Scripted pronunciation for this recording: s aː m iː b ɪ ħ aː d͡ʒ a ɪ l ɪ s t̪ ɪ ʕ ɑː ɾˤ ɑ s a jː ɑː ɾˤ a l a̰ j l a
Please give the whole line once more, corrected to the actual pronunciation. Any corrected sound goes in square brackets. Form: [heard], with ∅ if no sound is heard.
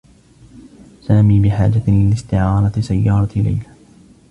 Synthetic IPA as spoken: s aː m iː b ɪ ħ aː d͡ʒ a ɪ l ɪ s t̪ ɪ ʕ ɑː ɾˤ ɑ s a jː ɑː ɾˤ [ɑ] l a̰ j l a